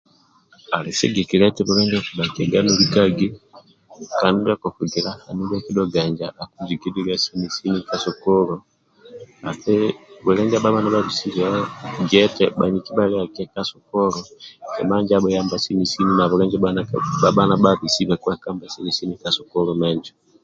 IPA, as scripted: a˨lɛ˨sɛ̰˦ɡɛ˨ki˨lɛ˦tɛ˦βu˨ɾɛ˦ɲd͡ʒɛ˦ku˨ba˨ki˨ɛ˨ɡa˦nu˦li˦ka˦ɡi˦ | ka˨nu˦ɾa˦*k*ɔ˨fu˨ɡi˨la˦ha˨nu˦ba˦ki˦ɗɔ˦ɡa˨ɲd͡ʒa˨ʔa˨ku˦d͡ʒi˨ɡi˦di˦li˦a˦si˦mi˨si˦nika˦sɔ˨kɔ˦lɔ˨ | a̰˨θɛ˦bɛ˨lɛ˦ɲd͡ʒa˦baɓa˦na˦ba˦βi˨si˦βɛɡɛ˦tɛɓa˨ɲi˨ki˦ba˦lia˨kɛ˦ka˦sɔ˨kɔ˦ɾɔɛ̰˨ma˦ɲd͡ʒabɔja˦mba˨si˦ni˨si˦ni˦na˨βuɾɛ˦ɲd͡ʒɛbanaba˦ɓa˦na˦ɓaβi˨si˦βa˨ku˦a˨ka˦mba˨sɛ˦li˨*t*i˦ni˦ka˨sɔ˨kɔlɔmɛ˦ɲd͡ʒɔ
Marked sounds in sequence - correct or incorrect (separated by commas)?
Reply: correct, incorrect